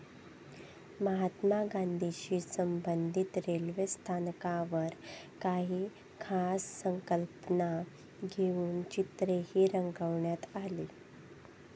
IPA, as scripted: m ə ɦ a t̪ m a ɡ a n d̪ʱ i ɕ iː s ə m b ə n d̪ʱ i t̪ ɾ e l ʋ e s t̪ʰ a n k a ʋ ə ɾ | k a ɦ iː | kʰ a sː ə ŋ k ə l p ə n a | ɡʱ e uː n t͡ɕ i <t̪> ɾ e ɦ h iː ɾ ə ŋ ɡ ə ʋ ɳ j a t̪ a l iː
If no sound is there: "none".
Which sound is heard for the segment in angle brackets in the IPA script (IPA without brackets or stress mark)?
t̪